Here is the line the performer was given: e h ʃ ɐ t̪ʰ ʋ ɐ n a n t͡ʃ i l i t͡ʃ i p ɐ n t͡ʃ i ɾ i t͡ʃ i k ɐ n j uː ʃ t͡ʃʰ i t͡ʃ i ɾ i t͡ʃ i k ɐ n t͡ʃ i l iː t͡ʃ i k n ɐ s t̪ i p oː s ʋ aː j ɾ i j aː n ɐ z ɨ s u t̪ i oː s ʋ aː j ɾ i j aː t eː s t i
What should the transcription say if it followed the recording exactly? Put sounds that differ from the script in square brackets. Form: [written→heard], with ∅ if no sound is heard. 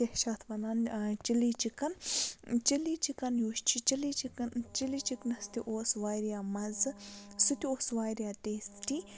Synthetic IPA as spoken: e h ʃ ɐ t̪ʰ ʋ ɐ n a n t͡ʃ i l i t͡ʃ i [p→k] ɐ n t͡ʃ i [ɾ→l] i t͡ʃ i k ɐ n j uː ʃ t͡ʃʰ i t͡ʃ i [ɾ→l] i t͡ʃ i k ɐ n t͡ʃ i l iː t͡ʃ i k n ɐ s t̪ i [p→ʔ] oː s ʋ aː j ɾ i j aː [n→m] ɐ z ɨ s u t̪ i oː s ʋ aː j ɾ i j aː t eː s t i

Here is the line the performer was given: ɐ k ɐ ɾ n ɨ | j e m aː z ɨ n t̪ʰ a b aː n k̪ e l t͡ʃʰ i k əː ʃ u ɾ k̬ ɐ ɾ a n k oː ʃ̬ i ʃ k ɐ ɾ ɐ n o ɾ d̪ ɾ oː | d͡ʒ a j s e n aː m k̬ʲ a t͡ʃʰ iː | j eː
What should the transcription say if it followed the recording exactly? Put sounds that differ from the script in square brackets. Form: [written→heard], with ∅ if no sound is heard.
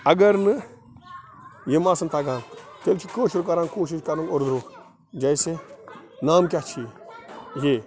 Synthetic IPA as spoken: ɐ [k→ɡ] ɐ ɾ n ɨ | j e m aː [z→s] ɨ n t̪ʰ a [b→ɡ] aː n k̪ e l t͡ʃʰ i k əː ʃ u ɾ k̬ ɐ ɾ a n k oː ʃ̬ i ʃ k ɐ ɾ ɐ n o ɾ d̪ ɾ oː | d͡ʒ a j s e n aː m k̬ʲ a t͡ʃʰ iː | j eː

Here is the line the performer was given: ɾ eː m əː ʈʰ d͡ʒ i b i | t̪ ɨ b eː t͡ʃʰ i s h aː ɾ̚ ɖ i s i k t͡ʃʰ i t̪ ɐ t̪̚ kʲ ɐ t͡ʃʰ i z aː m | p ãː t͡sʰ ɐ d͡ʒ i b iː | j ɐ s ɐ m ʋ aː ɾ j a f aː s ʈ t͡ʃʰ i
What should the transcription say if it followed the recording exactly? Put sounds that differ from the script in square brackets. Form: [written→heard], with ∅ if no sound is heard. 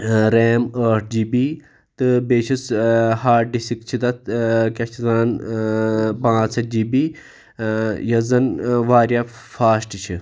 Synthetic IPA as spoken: ɾ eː m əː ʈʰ d͡ʒ i b i | t̪ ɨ b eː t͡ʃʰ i s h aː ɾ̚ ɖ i s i k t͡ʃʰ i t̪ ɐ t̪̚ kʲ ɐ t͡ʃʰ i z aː [m→n] | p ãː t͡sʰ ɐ d͡ʒ i b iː | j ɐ [s→z] ɐ [m→n] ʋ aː ɾ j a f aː s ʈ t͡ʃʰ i

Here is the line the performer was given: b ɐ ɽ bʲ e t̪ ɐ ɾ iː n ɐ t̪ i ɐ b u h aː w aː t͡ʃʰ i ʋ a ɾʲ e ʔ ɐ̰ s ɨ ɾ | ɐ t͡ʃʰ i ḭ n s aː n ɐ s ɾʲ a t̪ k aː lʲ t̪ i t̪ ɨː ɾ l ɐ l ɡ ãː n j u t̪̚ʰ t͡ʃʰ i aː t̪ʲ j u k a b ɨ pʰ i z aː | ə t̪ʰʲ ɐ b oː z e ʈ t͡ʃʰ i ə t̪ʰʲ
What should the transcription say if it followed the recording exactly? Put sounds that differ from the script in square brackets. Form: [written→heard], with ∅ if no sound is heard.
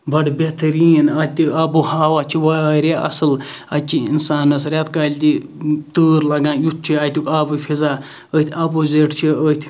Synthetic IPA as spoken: b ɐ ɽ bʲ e t̪ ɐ ɾ iː n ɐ t̪ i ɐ b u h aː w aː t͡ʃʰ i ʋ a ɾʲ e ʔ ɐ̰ s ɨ [ɾ→l] | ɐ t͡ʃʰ i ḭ n s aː n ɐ s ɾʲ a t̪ k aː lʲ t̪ i t̪ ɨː ɾ l ɐ [l→∅] ɡ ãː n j u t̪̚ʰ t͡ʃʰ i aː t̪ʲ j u k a b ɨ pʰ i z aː | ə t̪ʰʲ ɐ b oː z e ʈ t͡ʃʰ i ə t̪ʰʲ

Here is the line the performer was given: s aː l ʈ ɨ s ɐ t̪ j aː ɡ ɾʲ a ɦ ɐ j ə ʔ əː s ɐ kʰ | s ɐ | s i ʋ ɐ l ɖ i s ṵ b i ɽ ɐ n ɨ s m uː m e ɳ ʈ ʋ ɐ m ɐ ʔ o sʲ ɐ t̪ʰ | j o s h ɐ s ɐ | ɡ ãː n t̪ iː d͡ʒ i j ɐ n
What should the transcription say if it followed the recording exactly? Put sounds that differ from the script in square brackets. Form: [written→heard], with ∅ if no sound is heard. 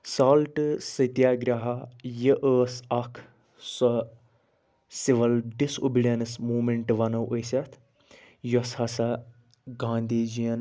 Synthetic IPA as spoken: s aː l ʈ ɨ s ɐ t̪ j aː ɡ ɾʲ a ɦ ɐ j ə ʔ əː s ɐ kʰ | s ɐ | s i ʋ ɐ l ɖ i s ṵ b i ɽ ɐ n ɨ s m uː m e ɳ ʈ ʋ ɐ [m→n] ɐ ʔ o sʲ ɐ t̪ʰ | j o s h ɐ s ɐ | ɡ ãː n [t̪→d̪] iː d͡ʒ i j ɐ n

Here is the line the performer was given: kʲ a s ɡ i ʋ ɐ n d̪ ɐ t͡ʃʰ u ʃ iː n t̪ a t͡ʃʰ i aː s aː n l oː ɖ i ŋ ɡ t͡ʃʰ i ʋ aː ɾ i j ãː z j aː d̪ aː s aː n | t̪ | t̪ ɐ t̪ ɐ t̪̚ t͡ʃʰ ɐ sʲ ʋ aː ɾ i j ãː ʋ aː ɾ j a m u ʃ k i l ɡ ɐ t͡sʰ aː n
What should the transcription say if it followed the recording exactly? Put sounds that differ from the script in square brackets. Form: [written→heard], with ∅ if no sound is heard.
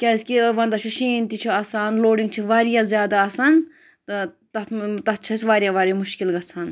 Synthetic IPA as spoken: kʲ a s [ɡ→k] i ʋ ɐ n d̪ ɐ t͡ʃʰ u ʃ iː n t̪ [a→i] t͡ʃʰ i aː s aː n l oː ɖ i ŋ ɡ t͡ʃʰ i ʋ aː ɾ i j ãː z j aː d̪ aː s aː n | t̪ | t̪ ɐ t̪ ɐ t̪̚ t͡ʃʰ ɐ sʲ ʋ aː ɾ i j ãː ʋ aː ɾ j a m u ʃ k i l ɡ ɐ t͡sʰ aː n

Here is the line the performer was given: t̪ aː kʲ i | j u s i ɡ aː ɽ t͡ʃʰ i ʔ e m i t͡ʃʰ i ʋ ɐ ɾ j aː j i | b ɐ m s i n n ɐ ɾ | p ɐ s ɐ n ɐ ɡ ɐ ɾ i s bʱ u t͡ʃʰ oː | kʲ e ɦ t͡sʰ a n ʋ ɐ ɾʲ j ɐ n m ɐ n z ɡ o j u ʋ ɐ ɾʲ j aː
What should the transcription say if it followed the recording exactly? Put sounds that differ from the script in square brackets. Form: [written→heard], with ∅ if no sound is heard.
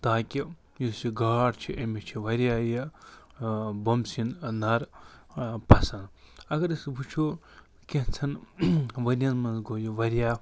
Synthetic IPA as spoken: t̪ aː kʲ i | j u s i ɡ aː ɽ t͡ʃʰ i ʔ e m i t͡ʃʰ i ʋ ɐ ɾ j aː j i | b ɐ m s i n n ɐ ɾ | p ɐ s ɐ n ɐ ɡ ɐ ɾ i s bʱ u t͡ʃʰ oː | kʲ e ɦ t͡sʰ [a→ɐ] n ʋ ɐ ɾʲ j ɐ n m ɐ n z ɡ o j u ʋ ɐ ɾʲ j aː

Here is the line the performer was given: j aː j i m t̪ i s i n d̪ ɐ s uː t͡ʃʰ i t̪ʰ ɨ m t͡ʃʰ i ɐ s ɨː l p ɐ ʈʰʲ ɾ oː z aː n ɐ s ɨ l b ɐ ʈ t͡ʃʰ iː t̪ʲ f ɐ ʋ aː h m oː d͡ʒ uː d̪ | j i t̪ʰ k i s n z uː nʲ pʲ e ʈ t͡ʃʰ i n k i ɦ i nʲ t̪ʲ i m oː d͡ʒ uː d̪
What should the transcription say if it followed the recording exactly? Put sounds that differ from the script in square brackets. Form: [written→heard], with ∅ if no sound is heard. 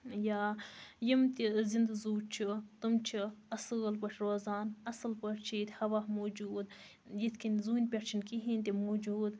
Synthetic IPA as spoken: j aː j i m t̪ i [s→z] i n d̪ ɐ [s→z] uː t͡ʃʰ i [t̪ʰ→t̪] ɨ m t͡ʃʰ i ɐ s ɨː l p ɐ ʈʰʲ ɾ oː z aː n ɐ s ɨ l [b→p] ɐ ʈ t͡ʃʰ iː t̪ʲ [f→h] ɐ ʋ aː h m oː d͡ʒ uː d̪ | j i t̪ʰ k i [s→∅] n z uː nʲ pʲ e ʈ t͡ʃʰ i n k i ɦ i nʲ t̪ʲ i m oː d͡ʒ uː d̪

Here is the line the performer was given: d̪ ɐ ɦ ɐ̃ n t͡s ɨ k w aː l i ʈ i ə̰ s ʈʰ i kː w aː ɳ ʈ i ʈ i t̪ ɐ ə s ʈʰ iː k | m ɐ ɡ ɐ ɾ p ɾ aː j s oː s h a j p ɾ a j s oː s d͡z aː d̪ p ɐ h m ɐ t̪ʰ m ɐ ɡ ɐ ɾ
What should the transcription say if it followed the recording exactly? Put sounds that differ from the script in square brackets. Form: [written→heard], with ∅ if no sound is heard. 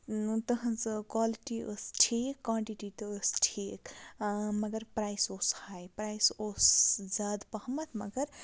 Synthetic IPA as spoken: [d̪→t̪] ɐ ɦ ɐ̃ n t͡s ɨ k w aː l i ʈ i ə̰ s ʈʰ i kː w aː ɳ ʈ i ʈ i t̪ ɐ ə s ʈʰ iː k | m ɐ ɡ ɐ ɾ p ɾ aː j s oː s h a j p ɾ a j s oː s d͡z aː d̪ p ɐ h m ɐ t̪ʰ m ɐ ɡ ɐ ɾ

